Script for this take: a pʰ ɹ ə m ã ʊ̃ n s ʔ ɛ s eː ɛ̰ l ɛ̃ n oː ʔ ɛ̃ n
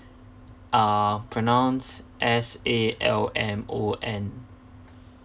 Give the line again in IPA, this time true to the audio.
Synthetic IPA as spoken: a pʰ ɹ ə n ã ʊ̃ n s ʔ ɛ s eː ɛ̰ l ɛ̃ m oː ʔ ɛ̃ n